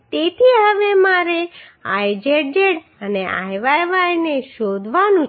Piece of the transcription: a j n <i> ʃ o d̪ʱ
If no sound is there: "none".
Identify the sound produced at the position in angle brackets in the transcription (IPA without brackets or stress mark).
e